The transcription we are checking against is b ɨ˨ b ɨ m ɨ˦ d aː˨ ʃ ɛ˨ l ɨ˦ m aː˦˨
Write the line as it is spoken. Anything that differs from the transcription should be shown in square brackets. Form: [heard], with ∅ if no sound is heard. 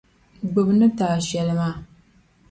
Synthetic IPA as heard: [ɡ͡b] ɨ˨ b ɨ [n] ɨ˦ [t] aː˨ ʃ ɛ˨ l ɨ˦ m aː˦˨